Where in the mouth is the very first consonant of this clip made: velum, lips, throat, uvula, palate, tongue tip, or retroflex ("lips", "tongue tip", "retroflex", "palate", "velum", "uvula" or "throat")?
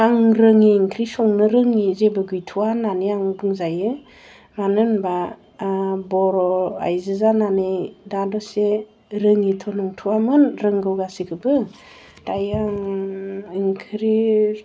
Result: velum